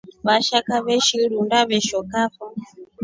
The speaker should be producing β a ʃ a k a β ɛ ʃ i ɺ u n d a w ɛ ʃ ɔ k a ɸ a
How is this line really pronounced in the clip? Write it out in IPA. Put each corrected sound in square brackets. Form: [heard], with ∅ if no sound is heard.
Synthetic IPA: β a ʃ a k a β ɛ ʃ i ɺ u n d a [β] ɛ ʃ ɔ k a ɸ a

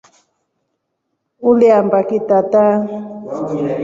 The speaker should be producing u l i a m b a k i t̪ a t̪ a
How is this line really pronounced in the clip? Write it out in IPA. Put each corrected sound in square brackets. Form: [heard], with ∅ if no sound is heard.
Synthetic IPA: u l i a m b a k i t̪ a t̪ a

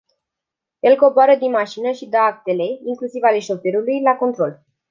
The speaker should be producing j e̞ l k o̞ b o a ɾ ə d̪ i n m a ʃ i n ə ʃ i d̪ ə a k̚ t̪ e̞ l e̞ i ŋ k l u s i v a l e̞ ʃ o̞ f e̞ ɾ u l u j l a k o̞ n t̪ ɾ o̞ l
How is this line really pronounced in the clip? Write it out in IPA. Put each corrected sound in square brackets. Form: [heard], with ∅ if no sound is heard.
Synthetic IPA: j e̞ l k o̞ b o a ɾ ə d̪ i n m a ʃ i n ə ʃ i d̪ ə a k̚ t̪ e̞ l e̞ i ŋ k l u s i v a l e̞ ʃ o̞ f e̞ ɾ u l u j l a k o̞ n t̪ ɾ o̞ l

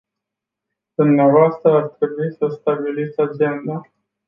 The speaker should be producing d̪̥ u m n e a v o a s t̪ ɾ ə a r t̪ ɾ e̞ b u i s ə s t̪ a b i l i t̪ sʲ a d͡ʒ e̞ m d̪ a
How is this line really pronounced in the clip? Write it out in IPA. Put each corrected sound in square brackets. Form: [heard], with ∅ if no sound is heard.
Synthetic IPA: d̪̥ u m n e a v o a s t̪ ɾ ə a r t̪ ɾ e̞ b u i s ə s t̪ a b i l i t̪ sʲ a d͡ʒ e̞ [n] d̪ a

